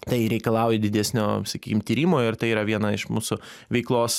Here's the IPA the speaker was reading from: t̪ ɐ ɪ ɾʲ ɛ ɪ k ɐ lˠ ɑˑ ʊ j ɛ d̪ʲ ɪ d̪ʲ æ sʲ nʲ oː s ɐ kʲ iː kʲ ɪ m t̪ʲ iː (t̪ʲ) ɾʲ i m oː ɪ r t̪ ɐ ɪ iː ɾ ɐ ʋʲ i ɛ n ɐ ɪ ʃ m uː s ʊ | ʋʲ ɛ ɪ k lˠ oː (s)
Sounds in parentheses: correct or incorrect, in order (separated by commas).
incorrect, correct